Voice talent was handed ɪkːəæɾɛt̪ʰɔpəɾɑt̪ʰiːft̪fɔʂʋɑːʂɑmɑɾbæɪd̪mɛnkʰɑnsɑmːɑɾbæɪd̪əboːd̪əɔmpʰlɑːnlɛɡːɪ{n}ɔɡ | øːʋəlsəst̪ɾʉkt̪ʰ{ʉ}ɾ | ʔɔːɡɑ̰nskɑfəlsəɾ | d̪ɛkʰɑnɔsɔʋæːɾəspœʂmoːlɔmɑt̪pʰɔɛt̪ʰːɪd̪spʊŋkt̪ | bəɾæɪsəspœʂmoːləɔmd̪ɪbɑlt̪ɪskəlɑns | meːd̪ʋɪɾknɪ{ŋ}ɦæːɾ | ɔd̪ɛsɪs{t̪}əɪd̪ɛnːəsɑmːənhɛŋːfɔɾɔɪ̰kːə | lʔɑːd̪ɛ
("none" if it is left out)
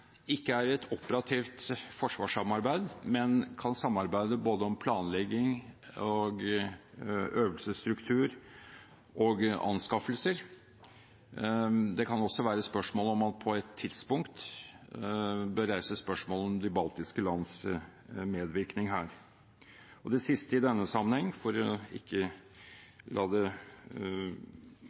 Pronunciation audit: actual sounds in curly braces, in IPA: ŋ, ʉː, ŋ, t̪

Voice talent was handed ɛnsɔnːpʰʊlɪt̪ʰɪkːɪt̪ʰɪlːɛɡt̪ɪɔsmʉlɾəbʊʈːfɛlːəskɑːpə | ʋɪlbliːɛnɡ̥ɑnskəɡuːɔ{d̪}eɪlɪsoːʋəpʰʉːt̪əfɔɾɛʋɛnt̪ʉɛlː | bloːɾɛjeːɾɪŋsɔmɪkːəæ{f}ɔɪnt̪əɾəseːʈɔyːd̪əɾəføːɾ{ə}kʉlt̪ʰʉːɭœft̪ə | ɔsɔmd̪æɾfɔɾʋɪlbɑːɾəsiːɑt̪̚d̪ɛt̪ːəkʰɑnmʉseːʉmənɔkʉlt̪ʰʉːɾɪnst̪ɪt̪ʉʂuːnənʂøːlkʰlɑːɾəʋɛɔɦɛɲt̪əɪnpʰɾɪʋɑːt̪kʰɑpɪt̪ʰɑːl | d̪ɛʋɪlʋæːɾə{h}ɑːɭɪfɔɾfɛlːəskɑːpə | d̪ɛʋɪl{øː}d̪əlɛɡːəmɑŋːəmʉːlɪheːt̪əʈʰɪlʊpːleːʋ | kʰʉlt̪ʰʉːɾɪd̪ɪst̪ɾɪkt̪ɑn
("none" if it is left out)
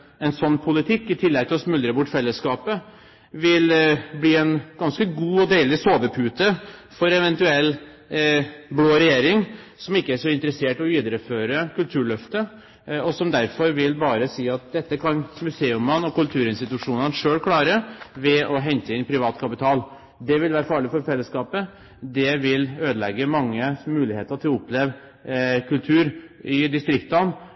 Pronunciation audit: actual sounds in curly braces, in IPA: d̪, ʂ, ə, f, øː

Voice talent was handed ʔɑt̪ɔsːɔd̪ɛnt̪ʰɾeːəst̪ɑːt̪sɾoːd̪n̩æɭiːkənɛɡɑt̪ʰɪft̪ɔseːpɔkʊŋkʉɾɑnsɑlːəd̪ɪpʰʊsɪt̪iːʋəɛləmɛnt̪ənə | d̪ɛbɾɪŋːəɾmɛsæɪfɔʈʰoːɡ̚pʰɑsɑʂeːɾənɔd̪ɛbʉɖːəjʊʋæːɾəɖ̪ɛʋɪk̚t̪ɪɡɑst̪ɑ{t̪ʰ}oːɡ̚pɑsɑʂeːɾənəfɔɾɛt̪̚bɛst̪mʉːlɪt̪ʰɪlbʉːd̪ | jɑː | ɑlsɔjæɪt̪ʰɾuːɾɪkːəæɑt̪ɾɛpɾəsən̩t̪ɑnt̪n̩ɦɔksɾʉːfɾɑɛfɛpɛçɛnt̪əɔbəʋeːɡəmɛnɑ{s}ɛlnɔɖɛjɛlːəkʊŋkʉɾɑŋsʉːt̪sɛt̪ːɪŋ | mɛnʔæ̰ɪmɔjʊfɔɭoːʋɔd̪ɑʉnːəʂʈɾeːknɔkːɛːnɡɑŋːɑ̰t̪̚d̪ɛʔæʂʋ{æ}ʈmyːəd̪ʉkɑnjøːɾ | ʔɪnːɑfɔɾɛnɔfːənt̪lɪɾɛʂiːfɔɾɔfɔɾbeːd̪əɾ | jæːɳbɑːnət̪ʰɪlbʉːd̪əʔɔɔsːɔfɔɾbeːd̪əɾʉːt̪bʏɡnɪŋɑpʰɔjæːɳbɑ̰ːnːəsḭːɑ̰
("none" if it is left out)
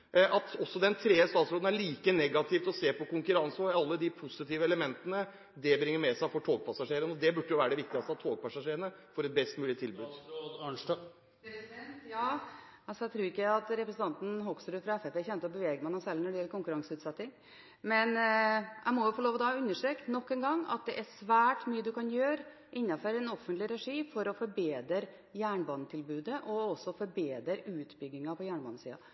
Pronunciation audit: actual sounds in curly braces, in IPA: t̪ʰ, s, æː

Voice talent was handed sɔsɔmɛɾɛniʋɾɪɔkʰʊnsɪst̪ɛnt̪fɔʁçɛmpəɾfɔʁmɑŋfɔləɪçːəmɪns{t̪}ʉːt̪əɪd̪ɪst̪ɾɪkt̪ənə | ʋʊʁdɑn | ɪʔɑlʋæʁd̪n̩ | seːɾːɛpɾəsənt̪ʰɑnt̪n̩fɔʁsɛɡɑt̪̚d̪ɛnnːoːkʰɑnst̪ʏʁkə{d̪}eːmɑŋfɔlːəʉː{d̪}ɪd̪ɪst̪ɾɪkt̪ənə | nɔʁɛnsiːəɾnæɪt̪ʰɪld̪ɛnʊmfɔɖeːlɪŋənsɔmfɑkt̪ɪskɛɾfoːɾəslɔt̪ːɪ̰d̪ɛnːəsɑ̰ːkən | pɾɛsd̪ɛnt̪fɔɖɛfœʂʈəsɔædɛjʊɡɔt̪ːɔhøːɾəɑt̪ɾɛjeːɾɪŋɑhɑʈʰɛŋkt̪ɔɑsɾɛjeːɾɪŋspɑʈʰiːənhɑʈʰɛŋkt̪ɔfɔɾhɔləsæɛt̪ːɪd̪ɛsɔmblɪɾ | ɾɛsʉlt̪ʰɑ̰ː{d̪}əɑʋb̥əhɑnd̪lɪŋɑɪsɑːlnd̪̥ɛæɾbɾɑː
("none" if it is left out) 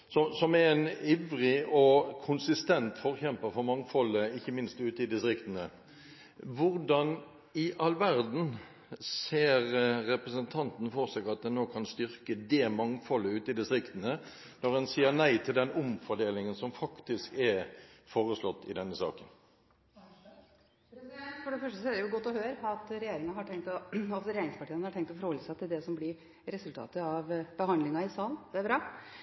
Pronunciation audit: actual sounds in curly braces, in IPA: t̪, d̪, t̪, t̪

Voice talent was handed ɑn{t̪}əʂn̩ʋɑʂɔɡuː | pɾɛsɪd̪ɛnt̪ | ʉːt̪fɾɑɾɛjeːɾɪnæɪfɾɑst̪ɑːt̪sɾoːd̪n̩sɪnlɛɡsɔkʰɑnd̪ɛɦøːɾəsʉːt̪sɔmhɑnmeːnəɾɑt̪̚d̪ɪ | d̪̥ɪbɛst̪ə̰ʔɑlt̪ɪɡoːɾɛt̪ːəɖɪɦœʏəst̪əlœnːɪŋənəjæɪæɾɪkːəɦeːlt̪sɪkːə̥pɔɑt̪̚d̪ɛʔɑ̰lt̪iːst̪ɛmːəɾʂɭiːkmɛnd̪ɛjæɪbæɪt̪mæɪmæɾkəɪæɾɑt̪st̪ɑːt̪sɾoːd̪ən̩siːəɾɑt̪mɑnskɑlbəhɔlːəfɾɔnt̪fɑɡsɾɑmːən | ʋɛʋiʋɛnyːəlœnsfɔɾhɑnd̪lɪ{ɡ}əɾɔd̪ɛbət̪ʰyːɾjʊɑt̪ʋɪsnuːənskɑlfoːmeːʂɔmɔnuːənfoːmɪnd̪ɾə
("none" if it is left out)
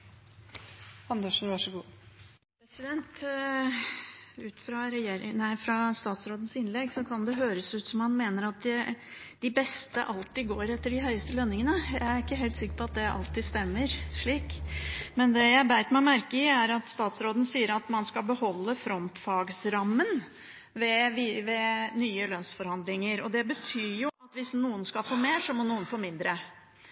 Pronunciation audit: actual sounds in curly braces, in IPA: d̪, ŋ

